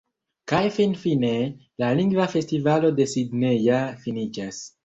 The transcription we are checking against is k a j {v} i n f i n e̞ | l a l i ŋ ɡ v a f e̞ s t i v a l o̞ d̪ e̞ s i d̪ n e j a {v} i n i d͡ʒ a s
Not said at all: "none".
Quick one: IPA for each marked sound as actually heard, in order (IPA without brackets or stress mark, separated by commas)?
f, f